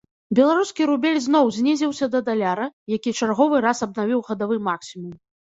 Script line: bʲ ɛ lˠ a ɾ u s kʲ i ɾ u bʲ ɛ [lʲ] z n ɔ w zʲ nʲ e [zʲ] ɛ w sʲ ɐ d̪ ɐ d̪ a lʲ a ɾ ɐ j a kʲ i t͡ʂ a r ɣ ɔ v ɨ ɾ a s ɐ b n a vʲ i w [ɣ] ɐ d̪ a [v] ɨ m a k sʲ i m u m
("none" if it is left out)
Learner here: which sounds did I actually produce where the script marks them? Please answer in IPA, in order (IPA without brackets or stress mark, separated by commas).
lʲ, zʲ, ɣ, v